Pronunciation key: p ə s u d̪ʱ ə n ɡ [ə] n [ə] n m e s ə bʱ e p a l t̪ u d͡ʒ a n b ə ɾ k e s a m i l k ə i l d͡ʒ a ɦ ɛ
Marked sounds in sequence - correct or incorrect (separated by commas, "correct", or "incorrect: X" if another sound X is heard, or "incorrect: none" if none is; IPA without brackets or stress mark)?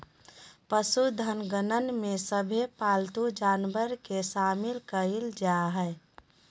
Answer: correct, correct